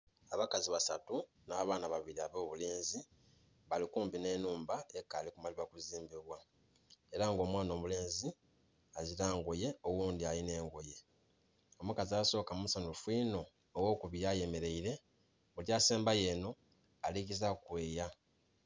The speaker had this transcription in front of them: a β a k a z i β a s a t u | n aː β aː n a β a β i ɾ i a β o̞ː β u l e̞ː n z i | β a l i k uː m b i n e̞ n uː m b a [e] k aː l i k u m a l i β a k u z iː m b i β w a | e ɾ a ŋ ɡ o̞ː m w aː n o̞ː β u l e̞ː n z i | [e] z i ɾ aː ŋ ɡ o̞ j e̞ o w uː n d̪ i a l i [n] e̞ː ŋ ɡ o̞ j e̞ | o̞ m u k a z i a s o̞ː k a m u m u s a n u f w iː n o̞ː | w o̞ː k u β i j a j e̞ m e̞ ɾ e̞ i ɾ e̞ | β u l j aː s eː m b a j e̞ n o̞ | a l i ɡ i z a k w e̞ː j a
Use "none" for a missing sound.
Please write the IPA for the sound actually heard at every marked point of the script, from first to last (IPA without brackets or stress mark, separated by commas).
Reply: e, a, n